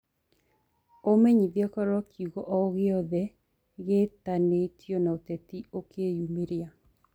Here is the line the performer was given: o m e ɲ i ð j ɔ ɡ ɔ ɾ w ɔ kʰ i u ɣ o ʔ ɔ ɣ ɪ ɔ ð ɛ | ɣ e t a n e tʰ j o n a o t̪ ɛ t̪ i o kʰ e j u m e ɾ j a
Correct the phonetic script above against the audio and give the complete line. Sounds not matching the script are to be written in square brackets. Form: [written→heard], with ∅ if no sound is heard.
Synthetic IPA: o m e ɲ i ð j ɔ [ɡ→k] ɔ ɾ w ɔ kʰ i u ɣ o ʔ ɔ ɣ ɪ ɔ ð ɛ | ɣ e t a n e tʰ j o n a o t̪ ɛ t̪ i o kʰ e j u m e ɾ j a